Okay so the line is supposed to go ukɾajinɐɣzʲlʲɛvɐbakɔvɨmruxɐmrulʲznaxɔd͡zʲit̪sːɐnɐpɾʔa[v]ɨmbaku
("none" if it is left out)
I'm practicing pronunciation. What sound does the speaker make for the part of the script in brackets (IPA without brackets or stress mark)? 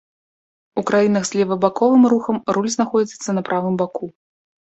v